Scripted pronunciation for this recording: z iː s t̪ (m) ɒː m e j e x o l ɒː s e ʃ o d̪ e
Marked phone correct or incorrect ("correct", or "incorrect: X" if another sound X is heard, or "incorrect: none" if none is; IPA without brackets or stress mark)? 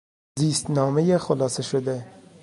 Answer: incorrect: n